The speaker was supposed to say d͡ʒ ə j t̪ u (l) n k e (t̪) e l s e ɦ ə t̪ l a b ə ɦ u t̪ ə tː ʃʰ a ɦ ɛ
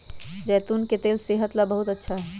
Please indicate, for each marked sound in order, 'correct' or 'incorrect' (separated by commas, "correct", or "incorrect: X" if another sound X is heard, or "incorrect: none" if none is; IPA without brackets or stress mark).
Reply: incorrect: none, correct